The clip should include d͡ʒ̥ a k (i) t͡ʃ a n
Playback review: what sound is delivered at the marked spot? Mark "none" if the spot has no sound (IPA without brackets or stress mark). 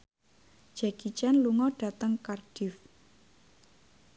i